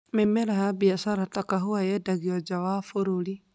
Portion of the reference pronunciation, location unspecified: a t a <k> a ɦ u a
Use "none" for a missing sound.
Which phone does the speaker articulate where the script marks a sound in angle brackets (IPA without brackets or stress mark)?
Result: k